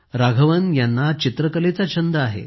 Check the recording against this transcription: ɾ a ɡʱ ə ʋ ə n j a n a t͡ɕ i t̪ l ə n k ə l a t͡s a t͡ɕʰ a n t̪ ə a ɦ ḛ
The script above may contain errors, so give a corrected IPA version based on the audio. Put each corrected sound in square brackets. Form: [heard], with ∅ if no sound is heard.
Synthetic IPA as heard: ɾ a ɡʱ ə ʋ ə n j a [nː] a t͡ɕ i t̪ [ɾ] ə [∅] k ə l [e] t͡s a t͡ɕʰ [ə] n [d̪] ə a ɦ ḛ